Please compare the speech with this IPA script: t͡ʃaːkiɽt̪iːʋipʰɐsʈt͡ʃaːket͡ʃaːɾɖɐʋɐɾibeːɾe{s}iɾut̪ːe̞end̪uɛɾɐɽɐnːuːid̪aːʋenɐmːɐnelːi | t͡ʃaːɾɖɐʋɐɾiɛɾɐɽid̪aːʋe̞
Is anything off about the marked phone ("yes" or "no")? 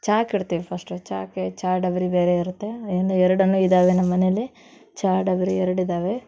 yes